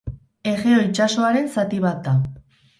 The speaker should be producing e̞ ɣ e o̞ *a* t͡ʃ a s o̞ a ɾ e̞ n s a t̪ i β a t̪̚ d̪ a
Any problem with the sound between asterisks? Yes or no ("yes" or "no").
yes